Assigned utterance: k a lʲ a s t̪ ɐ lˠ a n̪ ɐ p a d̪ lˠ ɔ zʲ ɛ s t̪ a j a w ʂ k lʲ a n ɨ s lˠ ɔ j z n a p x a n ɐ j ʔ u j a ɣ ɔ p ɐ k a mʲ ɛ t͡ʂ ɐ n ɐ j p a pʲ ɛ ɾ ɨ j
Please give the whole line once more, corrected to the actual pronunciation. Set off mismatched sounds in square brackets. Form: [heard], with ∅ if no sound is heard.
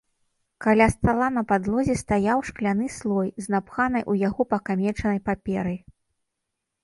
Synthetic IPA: k a lʲ a s t̪ [a] lˠ a n̪ ɐ p a d̪ lˠ ɔ zʲ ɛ s t̪ a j a w ʂ k lʲ a n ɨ s lˠ ɔ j z n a p x a n ɐ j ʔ u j a ɣ ɔ p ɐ k a mʲ ɛ t͡ʂ ɐ n ɐ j p a pʲ ɛ ɾ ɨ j